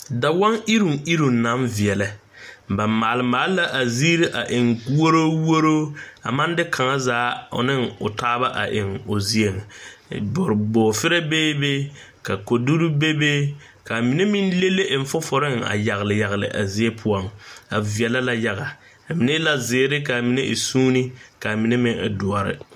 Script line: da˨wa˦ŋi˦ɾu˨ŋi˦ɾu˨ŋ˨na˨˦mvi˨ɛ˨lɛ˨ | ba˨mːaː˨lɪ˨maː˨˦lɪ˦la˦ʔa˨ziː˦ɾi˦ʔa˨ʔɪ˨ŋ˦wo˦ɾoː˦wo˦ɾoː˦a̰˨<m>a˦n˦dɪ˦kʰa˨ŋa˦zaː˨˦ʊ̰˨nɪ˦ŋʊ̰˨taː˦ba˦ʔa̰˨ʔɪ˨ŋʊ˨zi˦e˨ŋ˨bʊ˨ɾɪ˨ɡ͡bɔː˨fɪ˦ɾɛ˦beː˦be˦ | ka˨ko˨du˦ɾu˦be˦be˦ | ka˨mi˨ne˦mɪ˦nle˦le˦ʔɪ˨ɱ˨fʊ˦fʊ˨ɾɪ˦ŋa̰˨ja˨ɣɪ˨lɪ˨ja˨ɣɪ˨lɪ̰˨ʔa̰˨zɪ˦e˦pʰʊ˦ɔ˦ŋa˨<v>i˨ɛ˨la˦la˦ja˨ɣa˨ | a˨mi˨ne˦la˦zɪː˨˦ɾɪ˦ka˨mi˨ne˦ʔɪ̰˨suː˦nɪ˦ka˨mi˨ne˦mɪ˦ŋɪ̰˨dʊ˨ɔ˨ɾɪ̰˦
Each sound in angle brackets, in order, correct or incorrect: correct, correct

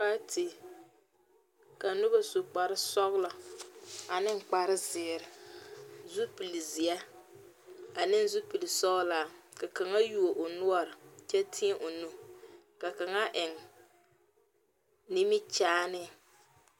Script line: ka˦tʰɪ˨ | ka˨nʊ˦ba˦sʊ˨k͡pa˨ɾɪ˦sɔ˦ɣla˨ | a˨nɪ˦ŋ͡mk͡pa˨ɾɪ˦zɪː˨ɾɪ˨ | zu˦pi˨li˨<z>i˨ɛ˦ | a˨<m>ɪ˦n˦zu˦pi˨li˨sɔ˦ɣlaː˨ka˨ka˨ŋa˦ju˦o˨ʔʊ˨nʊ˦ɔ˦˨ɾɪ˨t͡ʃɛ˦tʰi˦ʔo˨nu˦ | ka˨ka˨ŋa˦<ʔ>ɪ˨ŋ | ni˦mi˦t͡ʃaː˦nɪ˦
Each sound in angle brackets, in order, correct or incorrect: correct, incorrect: n, correct

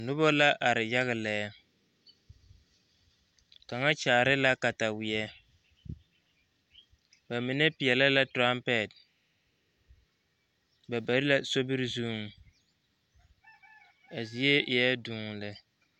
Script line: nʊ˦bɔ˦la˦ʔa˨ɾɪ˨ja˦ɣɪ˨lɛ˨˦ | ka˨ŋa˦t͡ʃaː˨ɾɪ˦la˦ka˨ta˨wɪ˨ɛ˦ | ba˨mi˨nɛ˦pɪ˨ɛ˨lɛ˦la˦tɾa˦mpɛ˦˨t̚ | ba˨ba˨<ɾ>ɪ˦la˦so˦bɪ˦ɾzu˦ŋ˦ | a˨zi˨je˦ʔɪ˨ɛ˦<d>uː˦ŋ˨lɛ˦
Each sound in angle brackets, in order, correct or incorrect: correct, correct

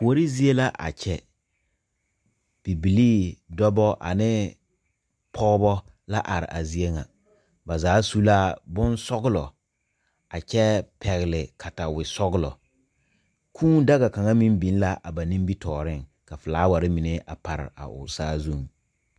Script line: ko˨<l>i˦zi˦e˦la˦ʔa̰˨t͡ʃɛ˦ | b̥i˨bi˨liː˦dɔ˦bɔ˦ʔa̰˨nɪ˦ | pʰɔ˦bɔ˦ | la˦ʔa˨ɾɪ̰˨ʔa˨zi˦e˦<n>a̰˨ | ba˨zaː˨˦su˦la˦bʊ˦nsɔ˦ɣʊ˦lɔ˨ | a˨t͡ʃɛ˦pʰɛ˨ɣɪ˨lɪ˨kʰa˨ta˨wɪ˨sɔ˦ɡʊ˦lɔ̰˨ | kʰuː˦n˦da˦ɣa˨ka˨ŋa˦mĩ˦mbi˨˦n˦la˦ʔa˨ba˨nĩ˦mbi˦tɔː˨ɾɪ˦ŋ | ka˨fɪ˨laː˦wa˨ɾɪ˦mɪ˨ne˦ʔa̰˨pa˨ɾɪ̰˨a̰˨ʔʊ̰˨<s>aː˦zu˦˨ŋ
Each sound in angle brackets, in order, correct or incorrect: incorrect: ɾ, incorrect: ŋ, correct

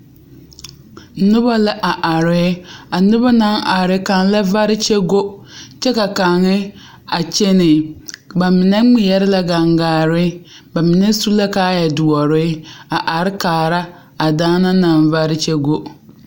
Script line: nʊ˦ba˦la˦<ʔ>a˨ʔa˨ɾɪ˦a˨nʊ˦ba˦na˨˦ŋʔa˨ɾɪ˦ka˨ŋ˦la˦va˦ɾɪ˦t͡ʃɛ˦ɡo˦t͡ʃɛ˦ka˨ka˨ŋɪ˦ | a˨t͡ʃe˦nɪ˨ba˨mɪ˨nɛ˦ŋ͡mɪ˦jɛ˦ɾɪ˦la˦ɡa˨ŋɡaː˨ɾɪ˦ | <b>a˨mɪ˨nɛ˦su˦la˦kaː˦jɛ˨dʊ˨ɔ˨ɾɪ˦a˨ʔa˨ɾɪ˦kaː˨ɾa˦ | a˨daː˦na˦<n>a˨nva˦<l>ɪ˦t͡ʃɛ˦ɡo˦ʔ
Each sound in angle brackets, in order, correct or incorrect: correct, correct, correct, incorrect: ɾ

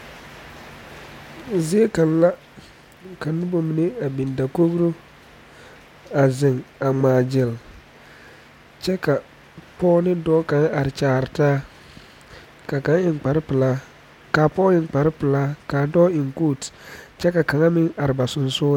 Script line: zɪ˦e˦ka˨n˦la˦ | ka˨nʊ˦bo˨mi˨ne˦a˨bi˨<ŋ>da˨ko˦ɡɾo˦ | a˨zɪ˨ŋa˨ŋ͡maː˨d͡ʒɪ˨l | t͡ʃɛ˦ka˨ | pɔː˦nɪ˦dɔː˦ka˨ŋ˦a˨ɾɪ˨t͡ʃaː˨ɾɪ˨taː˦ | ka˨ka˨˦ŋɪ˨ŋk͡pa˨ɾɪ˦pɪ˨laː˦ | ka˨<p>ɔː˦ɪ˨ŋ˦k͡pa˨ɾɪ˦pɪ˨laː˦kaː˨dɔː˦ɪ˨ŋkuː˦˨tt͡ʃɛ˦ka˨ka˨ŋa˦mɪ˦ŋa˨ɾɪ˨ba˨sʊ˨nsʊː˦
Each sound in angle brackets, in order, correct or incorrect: incorrect: n, correct

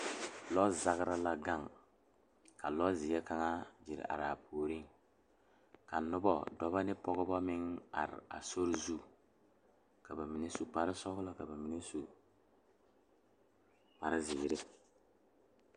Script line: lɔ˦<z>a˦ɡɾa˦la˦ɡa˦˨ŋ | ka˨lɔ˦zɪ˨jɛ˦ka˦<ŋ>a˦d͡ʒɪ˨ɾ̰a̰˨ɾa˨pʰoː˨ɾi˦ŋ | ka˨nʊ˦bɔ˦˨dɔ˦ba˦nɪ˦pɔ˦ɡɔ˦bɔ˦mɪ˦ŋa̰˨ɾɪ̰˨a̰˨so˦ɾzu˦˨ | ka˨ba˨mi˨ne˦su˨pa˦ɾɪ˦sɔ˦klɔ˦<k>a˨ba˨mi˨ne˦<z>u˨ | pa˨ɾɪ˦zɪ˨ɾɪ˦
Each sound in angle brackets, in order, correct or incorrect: correct, correct, correct, incorrect: s

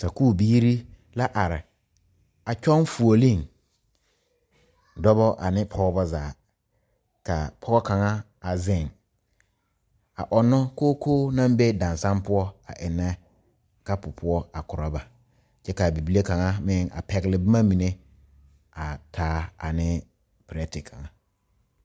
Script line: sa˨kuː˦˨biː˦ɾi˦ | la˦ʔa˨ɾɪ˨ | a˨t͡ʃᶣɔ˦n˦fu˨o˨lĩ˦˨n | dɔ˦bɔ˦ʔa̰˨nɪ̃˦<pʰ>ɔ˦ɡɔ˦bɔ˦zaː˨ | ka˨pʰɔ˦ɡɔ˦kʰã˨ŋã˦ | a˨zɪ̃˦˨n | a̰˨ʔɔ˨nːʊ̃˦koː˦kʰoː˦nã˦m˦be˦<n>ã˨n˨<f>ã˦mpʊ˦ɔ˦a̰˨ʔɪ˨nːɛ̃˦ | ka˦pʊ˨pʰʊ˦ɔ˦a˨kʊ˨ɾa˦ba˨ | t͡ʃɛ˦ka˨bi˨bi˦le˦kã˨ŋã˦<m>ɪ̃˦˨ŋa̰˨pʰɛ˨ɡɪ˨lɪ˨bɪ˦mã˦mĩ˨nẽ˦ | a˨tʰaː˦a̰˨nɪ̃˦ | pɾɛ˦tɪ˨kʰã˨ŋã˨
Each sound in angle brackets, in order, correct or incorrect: correct, incorrect: d, incorrect: s, correct

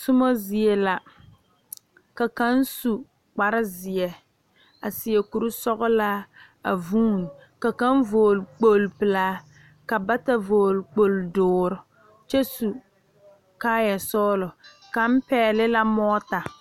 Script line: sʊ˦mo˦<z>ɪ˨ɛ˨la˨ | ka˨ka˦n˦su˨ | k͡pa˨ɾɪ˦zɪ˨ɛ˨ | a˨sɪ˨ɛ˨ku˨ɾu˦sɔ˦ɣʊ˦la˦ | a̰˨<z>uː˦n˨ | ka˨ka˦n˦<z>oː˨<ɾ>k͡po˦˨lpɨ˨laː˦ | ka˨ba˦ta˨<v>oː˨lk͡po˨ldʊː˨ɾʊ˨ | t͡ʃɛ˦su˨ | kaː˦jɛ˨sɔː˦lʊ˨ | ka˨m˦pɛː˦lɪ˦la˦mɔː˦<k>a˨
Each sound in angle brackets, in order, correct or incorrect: correct, incorrect: v, incorrect: v, incorrect: l, correct, incorrect: t

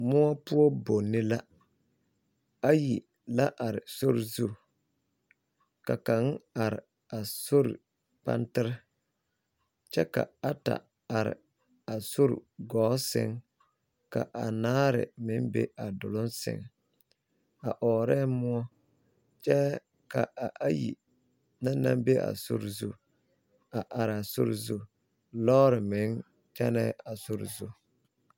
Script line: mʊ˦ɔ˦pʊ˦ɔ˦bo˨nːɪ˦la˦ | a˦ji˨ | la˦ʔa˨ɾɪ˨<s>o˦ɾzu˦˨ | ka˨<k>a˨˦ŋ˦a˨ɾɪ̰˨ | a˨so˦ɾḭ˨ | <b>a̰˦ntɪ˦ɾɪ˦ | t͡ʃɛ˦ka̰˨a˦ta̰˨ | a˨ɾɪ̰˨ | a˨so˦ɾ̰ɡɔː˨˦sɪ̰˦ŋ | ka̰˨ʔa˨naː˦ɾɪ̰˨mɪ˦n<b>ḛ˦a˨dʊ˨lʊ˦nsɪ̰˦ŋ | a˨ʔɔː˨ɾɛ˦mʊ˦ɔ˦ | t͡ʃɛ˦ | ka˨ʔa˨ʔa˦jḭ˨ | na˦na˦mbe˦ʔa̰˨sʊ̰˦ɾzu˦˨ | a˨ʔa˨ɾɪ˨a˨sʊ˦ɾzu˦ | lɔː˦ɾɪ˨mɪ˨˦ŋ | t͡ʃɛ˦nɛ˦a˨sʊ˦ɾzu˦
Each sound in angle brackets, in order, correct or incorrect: correct, correct, incorrect: p, correct

